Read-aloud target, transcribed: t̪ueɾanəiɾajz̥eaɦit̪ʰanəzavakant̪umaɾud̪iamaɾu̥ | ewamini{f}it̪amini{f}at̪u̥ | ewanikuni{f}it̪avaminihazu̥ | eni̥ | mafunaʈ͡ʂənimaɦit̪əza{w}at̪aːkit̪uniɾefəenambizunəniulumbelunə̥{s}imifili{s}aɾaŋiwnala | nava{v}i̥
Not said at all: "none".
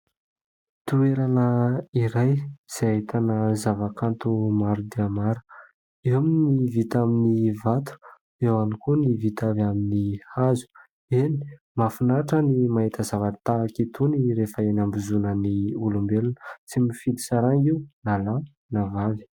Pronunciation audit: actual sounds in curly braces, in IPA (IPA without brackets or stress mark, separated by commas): v, v, v, v, t͡s, s, v